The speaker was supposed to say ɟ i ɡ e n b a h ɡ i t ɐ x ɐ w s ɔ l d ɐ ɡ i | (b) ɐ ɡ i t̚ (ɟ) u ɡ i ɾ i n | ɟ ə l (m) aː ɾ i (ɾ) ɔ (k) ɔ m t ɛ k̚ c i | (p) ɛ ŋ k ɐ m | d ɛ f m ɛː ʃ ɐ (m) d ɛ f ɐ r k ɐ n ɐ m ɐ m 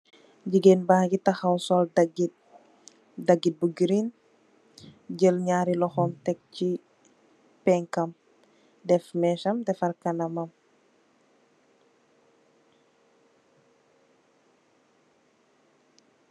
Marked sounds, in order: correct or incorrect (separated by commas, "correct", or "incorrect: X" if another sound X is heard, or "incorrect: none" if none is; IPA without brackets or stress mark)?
incorrect: d, incorrect: b, incorrect: ɲ, incorrect: l, incorrect: x, correct, correct